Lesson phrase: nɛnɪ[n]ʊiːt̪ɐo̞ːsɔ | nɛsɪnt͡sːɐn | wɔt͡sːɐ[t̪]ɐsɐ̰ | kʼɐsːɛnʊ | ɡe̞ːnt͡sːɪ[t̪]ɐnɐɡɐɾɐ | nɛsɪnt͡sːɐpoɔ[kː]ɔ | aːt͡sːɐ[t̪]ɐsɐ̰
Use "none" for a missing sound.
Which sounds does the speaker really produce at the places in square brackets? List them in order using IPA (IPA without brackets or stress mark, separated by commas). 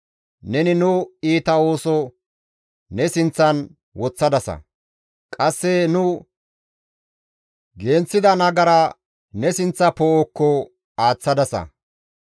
n, d̪, d̪, kː, d̪